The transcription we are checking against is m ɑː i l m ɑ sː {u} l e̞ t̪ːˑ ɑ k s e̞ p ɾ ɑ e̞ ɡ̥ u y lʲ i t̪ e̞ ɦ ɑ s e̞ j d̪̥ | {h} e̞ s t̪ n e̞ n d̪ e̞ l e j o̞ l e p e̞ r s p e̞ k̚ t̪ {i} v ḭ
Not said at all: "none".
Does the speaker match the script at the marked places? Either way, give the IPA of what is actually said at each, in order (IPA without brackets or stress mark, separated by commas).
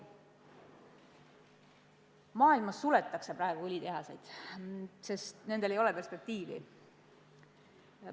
u, s, iː